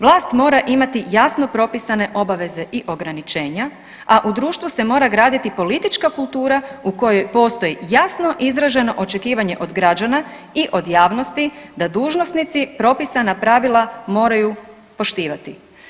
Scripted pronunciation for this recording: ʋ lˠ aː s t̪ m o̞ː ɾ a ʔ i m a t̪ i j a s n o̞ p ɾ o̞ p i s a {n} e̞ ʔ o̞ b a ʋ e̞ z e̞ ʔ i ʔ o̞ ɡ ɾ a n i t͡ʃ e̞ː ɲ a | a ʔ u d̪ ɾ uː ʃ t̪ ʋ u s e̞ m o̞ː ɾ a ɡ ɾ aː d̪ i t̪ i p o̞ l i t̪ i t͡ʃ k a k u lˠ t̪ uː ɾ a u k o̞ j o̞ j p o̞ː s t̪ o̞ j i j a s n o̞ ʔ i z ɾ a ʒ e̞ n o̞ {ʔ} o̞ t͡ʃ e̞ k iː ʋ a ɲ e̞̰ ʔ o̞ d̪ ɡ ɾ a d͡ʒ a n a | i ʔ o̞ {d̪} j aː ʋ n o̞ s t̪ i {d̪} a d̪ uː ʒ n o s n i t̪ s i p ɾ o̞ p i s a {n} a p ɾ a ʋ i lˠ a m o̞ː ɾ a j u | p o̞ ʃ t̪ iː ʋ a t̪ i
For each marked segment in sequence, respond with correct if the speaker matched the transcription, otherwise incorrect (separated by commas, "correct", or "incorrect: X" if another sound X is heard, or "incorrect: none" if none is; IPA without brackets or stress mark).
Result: correct, correct, correct, correct, correct